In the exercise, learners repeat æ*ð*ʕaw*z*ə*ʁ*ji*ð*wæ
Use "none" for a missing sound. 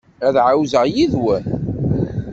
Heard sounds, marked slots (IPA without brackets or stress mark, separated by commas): ð, z, ʁ, ð